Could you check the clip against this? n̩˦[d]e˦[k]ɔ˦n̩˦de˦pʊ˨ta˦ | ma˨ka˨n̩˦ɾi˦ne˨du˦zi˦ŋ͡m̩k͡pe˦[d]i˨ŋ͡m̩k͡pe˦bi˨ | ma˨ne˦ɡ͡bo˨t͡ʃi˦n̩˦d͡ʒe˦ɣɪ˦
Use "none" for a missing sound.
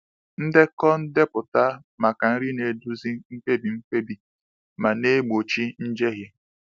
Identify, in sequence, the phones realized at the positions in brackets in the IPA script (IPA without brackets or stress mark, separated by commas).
d, k, b